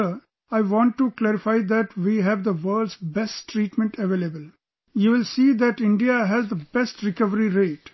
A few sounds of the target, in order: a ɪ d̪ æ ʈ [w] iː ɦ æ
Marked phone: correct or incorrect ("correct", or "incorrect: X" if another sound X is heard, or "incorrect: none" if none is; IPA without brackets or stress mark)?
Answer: incorrect: ʋ